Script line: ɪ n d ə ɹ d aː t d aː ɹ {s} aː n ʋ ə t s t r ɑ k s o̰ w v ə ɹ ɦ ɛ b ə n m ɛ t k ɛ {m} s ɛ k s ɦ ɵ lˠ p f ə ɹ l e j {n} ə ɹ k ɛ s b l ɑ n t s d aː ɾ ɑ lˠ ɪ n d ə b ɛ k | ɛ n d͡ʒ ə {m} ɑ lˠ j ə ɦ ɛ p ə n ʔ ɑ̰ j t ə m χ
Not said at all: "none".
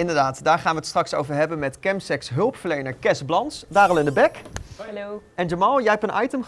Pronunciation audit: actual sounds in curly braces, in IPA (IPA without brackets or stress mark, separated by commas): χ, m, n, m